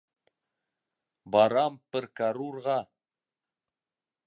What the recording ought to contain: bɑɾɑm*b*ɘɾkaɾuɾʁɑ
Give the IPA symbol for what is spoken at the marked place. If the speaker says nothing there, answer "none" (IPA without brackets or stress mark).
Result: p